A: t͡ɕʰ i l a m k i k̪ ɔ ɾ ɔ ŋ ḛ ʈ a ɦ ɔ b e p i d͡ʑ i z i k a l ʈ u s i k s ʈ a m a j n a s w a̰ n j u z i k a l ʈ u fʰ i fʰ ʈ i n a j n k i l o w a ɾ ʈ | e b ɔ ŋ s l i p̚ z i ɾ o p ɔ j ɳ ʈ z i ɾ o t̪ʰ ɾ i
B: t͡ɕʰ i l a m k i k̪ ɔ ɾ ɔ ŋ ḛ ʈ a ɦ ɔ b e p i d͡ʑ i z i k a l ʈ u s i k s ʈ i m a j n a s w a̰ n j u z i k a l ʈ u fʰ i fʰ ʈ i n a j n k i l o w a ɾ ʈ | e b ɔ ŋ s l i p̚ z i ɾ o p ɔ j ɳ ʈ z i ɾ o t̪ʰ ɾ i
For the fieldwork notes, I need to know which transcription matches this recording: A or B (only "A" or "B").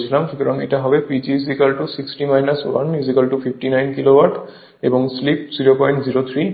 B